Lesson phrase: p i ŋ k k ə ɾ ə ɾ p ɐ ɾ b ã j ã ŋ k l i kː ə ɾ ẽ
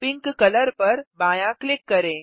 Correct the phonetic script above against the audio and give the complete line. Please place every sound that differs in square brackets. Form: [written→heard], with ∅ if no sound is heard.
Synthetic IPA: p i ŋ k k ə [ɾ→l] ə ɾ p [ɐ→ə] ɾ b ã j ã [ŋ→∅] k l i kː ə ɾ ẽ